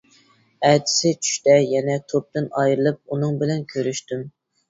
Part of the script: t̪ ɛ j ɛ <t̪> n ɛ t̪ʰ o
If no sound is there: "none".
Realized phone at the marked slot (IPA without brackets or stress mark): none